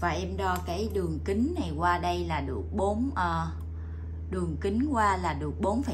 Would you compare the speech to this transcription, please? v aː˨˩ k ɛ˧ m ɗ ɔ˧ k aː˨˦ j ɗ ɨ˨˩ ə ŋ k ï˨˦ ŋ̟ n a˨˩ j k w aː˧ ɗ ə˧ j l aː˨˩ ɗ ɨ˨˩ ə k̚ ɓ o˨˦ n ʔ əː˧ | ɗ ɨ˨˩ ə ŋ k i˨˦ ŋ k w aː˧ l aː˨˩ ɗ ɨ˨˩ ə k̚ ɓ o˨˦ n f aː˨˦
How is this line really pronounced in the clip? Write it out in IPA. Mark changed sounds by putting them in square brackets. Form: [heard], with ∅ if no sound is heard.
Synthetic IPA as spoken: v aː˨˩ [ʔ] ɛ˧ m ɗ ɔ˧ k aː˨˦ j ɗ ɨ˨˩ ə ŋ k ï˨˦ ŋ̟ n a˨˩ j k w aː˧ ɗ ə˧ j l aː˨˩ ɗ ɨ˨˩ ə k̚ ɓ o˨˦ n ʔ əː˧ | ɗ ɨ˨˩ ə ŋ k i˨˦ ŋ k w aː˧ l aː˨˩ ɗ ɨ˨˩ ə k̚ ɓ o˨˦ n f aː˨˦